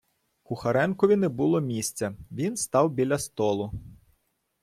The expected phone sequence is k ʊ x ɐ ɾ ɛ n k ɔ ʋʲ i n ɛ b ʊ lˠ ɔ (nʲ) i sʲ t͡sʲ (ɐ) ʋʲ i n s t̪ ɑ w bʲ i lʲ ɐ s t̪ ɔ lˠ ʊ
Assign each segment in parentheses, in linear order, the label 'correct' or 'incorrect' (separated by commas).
incorrect, correct